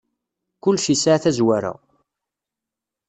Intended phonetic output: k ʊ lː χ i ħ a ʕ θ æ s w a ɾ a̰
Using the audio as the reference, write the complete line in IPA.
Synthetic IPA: k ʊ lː ʃ i s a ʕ θ æ z w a ɾ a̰